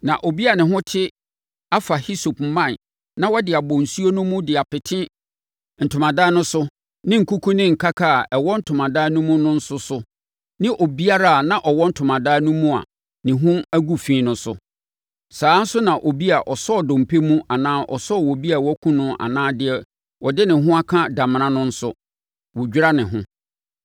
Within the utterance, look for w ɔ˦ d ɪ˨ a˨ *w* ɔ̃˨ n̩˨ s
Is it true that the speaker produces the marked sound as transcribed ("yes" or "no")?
no